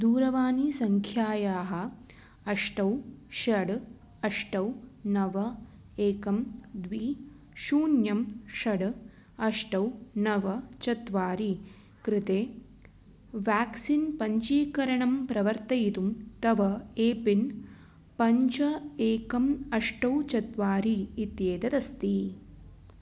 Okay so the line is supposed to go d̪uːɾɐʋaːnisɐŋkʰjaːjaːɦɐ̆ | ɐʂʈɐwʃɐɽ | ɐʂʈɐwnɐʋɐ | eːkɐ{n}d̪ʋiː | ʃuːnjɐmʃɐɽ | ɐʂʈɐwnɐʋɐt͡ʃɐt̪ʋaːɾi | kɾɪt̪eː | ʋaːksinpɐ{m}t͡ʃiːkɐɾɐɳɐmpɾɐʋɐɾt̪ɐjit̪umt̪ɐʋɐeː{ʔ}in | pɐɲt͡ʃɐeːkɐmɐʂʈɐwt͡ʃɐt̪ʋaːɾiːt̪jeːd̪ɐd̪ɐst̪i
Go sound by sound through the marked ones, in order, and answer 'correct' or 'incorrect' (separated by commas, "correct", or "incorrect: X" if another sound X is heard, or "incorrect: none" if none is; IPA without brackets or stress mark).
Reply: incorrect: m, incorrect: ɲ, incorrect: p